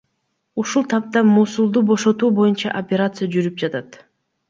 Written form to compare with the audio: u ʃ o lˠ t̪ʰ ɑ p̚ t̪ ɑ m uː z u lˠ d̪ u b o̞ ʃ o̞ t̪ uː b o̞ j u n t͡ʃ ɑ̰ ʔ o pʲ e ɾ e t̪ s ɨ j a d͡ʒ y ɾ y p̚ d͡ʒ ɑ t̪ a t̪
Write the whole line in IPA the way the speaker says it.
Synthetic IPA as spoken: u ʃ u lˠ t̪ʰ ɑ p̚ t̪ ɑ m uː s u lˠ d̪ u b o̞ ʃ o̞ t̪ uː b o̞ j u n t͡ʃ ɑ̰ ʔ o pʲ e ɾ a t̪ s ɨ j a d͡ʒ y ɾ y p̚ d͡ʒ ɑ t̪ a t̪

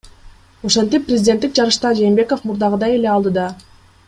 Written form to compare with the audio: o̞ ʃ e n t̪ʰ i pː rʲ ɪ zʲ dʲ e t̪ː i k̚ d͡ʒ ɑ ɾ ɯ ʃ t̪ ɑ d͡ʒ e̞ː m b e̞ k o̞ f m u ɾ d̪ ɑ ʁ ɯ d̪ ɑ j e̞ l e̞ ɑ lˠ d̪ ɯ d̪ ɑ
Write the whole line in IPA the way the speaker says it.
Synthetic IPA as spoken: o̞ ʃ e n t̪ i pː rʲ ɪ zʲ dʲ e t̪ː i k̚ d͡ʒ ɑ ɾ ɯ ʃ t̪ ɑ d͡ʒ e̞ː m b e̞ k o̞ f m u ɾ d̪ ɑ ʁ ɯ d̪ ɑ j e̞ l e̞ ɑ lˠ d̪ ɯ d̪ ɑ

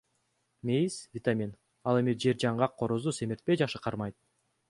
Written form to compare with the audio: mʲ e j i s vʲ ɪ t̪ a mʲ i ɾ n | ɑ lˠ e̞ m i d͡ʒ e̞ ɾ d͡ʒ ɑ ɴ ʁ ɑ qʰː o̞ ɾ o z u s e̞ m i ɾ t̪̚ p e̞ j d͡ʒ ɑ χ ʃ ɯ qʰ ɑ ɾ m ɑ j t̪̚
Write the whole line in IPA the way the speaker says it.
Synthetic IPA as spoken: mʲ e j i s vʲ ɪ t̪ a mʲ i n | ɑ lˠ e̞ m i d͡ʒ e̞ ɾ d͡ʒ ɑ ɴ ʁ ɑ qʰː o̞ ɾ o z u s e̞ m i ɾ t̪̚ p e̞ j d͡ʒ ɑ χ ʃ ɯ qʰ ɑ ɾ m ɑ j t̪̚

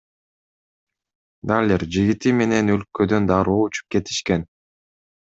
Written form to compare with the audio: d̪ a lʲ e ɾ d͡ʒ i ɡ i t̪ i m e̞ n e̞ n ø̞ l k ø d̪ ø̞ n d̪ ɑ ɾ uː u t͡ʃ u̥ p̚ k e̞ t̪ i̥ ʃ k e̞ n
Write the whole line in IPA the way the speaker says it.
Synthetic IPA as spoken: d̪ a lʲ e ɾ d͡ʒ i ɡ i t̪ i m e̞ n e̞ n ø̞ l k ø d̪ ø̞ n d̪ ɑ ɾ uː u t͡ʃ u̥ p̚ k e̞ t̪ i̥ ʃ k e̞ n

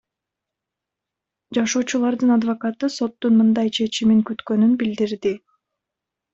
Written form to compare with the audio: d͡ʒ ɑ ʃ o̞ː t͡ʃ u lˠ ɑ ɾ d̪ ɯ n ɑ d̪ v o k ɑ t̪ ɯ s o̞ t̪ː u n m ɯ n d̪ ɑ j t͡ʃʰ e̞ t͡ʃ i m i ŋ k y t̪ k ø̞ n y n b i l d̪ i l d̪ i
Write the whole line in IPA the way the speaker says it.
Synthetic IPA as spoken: d͡ʒ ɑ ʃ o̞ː t͡ʃ u lˠ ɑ ɾ d̪ ɯ n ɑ d̪ v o k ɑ t̪ ɯ s o̞ t̪ː u n m ɯ n d̪ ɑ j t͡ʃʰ e̞ t͡ʃ i m i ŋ k y t̪ k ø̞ n y n b i l d̪ i ɾ d̪ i

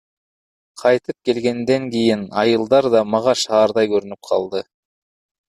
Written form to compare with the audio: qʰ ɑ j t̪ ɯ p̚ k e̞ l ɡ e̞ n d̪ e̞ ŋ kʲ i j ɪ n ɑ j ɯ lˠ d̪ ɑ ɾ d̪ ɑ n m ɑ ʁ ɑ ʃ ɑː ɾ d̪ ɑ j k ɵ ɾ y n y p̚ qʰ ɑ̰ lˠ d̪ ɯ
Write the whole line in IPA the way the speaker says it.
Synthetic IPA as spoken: qʰ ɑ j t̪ ɯ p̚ k e̞ l ɡ e̞ n d̪ e̞ ŋ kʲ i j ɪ n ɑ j ɯ lˠ d̪ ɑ ɾ d̪ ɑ m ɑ ʁ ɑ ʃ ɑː ɾ d̪ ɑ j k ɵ ɾ y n y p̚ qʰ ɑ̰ lˠ d̪ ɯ

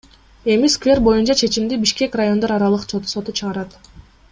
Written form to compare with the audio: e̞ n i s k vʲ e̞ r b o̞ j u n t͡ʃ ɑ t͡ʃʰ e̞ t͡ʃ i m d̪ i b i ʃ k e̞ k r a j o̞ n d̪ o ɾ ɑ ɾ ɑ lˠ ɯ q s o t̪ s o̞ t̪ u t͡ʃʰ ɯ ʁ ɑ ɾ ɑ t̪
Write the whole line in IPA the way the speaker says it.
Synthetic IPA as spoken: e̞ m i s k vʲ e̞ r b o̞ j u n t͡ʃ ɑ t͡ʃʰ e̞ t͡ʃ i m d̪ i b i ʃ k e̞ k r a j o̞ n d̪ o ɾ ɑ ɾ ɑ lˠ ɯ q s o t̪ s o̞ t̪ u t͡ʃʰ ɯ ʁ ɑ ɾ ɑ t̪

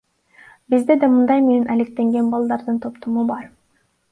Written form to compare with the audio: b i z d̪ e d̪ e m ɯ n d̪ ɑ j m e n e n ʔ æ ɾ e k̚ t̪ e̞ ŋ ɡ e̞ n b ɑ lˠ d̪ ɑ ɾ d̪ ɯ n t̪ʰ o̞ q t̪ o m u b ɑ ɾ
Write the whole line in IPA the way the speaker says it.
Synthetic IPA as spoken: b i z d̪ e d̪ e m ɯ n d̪ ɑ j m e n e n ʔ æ l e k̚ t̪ e̞ ŋ ɡ e̞ n b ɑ lˠ d̪ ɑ ɾ d̪ ɯ n t̪ʰ o̞ p t̪ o m u b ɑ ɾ

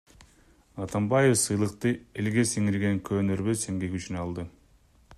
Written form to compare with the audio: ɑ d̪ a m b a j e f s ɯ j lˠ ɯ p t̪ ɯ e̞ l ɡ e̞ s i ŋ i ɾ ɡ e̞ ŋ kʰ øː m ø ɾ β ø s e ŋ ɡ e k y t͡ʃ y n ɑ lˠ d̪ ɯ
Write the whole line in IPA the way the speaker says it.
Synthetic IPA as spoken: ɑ t̪ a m b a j e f s ɯ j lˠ ɯ q t̪ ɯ e̞ l ɡ e̞ s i ŋ i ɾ ɡ e̞ ŋ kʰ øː n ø ɾ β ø s e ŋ ɡ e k y t͡ʃ y n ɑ lˠ d̪ ɯ

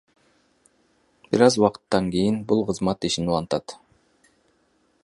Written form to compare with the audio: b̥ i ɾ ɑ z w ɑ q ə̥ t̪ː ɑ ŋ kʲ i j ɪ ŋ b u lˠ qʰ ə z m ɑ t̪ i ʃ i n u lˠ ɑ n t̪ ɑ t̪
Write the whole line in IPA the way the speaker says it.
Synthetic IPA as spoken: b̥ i ɾ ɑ z w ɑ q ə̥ t̪ː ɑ ŋ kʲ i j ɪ n b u lˠ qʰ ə z m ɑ t̪ i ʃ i n u lˠ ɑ n t̪ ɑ t̪

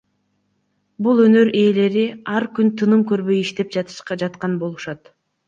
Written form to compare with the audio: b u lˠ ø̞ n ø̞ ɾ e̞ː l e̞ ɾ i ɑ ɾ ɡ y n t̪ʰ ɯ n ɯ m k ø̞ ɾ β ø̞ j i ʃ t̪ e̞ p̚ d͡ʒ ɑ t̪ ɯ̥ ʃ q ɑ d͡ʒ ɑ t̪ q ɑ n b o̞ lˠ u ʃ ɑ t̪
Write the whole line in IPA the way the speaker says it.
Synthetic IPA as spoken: b u lˠ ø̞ n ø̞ ɾ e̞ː l e̞ ɾ i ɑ ɾ k y n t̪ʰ ɯ n ɯ m k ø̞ ɾ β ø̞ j i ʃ t̪ e̞ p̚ d͡ʒ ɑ t̪ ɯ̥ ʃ q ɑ d͡ʒ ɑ t̪ q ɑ n b o̞ lˠ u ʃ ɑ t̪

